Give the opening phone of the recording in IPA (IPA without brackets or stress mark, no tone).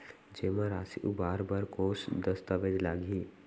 d͡ʒ